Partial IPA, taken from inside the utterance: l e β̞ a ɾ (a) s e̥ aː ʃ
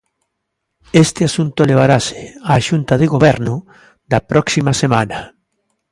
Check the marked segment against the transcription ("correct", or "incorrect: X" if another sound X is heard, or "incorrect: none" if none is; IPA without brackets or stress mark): correct